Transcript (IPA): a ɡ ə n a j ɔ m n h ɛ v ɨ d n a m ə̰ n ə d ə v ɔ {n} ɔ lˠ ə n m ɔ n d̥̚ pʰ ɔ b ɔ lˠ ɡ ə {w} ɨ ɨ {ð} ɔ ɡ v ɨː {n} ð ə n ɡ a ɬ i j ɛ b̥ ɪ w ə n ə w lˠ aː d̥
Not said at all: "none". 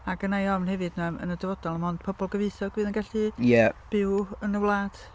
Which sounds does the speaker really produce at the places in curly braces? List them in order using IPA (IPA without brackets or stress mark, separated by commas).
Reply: d, v, θ, none